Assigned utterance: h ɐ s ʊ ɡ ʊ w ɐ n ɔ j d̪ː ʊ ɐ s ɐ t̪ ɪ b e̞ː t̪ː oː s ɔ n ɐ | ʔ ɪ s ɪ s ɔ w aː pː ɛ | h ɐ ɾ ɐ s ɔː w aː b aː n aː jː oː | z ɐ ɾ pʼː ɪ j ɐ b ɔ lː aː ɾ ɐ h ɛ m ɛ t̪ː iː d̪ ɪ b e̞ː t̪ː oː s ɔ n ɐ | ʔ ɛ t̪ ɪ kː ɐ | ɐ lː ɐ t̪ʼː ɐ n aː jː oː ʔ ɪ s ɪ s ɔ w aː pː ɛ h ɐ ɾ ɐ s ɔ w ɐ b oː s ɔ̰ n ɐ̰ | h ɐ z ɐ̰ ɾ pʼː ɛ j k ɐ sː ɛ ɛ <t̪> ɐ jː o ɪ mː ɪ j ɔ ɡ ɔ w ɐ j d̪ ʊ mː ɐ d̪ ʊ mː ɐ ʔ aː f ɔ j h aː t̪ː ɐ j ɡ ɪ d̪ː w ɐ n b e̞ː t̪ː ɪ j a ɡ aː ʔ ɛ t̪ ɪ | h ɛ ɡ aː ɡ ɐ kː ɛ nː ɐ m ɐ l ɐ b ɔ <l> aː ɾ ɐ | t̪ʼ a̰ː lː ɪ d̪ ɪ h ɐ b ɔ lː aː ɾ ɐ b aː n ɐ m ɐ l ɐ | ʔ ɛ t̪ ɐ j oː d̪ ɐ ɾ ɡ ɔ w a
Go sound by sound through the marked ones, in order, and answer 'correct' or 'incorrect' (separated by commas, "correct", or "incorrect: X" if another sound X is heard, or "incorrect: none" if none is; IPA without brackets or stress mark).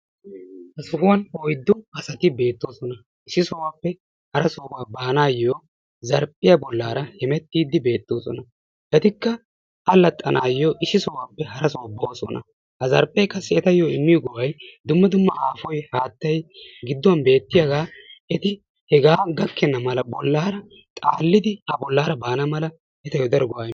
correct, incorrect: lː